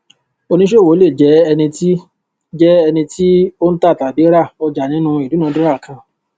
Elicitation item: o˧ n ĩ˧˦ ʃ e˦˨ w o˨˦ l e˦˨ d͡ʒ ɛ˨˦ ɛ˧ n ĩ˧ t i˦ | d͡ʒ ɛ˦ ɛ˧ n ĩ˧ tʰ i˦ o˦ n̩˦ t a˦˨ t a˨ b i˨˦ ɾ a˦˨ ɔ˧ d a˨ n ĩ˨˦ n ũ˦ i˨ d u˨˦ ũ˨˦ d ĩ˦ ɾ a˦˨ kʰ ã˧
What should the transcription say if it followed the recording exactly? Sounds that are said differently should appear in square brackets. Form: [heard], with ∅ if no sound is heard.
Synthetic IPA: o˧ n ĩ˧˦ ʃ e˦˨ w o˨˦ l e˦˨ d͡ʒ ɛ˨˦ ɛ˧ n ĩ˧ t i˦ | d͡ʒ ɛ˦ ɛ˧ n ĩ˧ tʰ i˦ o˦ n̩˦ t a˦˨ t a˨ b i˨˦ ɾ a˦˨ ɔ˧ [d͡ʒ] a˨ n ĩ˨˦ n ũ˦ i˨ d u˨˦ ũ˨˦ d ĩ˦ ɾ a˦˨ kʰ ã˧

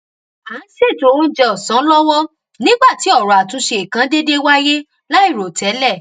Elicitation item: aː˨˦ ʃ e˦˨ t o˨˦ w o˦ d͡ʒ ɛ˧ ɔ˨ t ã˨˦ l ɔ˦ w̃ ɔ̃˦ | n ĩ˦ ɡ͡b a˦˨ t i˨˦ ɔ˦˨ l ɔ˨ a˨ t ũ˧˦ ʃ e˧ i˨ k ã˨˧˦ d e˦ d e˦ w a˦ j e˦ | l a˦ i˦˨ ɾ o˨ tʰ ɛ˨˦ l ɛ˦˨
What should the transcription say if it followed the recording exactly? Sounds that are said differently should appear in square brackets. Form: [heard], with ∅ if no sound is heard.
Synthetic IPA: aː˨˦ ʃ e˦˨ t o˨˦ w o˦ d͡ʒ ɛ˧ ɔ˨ [s] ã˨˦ l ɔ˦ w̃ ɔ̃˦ | n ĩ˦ ɡ͡b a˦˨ t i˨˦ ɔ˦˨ [ɾ] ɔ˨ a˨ t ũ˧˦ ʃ e˧ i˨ k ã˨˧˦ d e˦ d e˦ w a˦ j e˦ | l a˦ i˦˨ ɾ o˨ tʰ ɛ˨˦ l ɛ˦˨

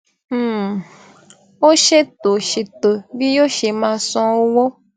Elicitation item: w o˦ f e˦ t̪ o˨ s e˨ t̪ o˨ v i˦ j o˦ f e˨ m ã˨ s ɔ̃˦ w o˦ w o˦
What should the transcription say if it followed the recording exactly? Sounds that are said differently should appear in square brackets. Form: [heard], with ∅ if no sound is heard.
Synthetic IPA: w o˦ [ʃ] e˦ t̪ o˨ [ʃ] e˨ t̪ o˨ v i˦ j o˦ [ʃ] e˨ m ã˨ s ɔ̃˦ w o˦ w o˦

